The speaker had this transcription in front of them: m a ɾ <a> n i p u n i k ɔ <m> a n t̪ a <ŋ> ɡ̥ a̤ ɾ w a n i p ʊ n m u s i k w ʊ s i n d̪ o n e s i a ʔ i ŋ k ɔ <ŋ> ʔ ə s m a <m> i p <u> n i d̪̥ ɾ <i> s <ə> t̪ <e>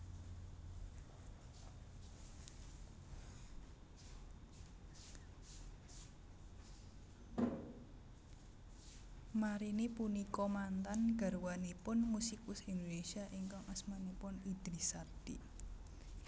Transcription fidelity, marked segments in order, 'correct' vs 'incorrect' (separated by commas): incorrect, correct, incorrect, correct, incorrect, incorrect, correct, incorrect, incorrect